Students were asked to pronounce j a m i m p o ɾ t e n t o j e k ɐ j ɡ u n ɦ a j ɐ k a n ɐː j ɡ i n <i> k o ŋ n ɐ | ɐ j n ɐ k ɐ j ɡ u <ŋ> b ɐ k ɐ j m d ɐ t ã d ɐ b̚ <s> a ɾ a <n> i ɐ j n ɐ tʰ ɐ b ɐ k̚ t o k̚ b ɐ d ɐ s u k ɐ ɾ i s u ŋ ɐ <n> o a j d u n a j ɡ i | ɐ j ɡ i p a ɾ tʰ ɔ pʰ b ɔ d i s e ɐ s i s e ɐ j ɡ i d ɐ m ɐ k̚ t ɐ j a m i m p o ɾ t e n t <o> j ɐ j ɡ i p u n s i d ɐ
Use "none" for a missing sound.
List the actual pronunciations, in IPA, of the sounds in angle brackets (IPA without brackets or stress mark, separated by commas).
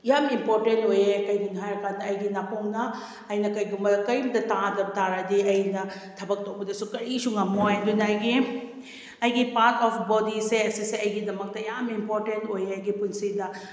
a, m, t, d, m, o